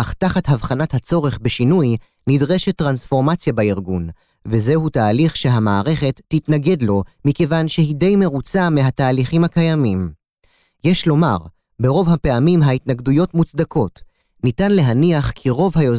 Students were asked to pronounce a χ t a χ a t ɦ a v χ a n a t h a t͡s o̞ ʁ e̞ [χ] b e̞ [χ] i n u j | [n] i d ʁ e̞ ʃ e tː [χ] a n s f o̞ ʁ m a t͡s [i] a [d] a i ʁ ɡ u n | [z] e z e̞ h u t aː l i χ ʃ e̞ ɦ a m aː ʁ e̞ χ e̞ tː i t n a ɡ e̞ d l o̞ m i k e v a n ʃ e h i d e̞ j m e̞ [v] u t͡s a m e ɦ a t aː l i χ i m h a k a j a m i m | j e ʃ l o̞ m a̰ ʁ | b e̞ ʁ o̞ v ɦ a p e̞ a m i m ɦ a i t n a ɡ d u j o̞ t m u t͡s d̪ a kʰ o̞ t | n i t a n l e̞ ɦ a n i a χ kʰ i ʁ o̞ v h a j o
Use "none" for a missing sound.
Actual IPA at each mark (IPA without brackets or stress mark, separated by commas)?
χ, ʃ, n, ʁ, j, b, v, ʁ